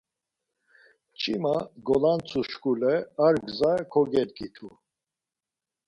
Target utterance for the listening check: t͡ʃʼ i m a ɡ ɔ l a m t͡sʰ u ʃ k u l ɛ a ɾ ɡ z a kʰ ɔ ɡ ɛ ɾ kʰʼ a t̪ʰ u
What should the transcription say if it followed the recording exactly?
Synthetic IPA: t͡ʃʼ i m a ɡ ɔ l a n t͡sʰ u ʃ k u l ɛ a ɾ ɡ z a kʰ ɔ ɡ ɛ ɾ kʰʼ i t̪ʰ u

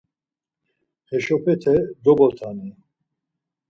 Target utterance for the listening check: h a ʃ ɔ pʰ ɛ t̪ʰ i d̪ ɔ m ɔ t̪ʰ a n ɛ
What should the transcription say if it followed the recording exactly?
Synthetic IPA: h ɛ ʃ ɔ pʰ ɛ t̪ʰ ɛ d̪ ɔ b ɔ t̪ʰ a n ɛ

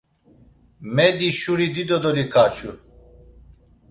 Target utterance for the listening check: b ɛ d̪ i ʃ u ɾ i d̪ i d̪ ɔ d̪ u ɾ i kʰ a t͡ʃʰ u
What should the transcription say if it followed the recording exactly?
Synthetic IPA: m ɛ d̪ i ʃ u ɾ i d̪ i d̪ ɔ d̪ ɔ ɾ i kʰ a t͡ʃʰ u

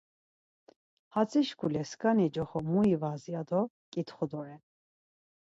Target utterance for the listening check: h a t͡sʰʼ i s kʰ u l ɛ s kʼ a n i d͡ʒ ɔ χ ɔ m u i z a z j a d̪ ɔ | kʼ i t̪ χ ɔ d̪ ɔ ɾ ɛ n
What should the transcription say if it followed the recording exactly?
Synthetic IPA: h a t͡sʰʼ i ʃ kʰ u l ɛ s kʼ a n i d͡ʒ ɔ χ ɔ m u i v a z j a d̪ ɔ | kʼ i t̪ χ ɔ d̪ ɔ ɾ ɛ n

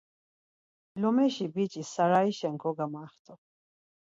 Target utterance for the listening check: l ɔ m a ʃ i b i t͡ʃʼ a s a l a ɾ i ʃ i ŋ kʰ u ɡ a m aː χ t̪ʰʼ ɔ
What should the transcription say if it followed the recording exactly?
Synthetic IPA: l ɔ m ɛ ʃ i b i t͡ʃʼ i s a ɾ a i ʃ ɛ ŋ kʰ ɔ ɡ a m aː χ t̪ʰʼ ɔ

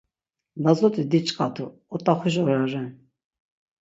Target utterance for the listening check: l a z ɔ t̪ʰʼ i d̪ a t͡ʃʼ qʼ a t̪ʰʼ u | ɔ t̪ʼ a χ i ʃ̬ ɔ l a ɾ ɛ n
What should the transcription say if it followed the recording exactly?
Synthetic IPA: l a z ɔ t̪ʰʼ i d̪ i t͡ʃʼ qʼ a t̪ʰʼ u | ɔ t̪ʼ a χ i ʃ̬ ɔ ɾ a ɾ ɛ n

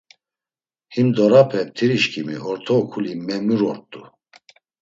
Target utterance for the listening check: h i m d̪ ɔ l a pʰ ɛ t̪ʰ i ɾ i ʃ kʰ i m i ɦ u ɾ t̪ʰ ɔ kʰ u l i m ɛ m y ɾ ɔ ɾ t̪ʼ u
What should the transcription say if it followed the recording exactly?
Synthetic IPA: h i m d̪ ɔ ɾ a pʰ ɛ t̪ʰ i ɾ i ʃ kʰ i m i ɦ ɔ ɾ t̪ʰ ɔ kʰ u l i m ɛ m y ɾ ɔ ɾ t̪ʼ u

